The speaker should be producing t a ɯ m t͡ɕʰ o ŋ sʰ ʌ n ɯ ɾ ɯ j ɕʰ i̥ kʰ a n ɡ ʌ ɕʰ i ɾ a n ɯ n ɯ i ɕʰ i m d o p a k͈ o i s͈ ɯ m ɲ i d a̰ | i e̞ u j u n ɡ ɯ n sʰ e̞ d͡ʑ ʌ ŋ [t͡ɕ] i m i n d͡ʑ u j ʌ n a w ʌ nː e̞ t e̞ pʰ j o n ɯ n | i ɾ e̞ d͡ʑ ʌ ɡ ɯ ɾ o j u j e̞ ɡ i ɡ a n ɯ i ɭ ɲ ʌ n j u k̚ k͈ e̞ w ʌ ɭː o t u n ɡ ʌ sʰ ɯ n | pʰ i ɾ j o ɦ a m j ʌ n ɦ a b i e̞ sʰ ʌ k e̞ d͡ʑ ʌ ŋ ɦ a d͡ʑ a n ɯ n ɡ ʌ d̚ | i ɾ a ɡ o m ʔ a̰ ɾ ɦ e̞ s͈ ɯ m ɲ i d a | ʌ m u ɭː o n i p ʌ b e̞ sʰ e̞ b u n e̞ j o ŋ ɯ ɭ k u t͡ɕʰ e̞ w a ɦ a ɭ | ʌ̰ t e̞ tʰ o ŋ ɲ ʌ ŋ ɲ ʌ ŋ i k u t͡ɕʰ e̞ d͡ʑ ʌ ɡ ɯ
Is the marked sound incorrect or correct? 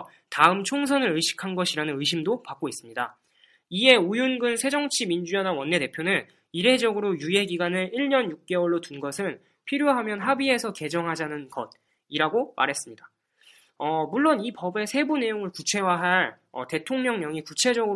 incorrect